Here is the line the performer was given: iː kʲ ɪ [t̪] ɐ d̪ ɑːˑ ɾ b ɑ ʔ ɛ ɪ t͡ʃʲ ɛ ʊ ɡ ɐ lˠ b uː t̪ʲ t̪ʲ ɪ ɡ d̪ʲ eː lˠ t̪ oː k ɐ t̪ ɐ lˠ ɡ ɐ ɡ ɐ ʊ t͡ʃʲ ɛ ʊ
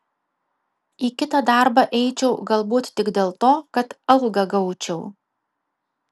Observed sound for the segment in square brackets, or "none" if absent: t̪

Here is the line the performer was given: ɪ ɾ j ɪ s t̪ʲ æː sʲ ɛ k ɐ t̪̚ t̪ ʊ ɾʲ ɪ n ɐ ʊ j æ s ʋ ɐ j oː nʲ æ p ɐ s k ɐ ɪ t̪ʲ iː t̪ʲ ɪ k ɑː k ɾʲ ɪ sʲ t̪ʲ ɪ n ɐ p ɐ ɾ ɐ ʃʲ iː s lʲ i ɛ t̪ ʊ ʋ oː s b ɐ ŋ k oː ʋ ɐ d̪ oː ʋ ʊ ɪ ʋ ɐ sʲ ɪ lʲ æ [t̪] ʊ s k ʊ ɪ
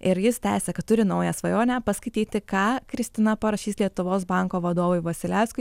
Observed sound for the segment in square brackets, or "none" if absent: none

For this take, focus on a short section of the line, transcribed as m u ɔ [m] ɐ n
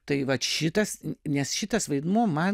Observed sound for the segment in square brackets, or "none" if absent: m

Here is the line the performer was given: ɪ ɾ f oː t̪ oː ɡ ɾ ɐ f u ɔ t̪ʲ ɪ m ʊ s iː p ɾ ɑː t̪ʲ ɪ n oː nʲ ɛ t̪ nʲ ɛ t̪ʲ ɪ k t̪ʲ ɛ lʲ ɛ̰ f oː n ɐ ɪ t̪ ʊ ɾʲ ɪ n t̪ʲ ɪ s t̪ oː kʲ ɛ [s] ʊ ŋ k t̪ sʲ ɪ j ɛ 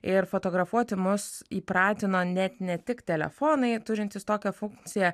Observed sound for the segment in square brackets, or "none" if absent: f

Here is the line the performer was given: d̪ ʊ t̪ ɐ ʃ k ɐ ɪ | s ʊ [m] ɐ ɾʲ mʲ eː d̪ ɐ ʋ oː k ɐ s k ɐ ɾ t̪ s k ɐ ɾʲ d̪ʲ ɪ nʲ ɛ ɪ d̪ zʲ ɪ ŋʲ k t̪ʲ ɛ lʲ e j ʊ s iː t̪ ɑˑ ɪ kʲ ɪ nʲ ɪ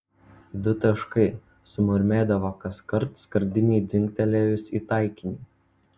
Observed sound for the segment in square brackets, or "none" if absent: m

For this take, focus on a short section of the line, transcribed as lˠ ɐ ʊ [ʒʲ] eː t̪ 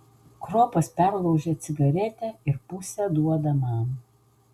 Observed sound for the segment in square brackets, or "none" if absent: ʒʲ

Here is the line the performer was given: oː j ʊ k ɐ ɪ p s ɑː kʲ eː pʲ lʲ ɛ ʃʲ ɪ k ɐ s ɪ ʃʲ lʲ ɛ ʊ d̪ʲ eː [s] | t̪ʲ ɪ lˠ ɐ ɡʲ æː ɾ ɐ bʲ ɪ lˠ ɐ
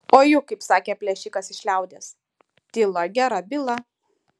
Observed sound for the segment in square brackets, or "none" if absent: s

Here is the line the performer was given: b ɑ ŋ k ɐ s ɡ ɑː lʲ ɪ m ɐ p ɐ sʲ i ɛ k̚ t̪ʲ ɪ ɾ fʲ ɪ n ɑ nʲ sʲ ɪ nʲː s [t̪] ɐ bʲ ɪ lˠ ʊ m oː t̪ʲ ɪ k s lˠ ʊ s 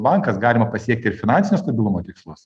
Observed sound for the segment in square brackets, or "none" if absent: t̪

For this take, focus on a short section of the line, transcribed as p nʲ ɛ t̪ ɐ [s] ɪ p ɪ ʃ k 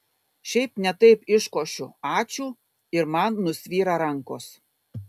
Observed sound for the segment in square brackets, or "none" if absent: none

